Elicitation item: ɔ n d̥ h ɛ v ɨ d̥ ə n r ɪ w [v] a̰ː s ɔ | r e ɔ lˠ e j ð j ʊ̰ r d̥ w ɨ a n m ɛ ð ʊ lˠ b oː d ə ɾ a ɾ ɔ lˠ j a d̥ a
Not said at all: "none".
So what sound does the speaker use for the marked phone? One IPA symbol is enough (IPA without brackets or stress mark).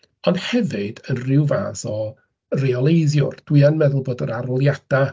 v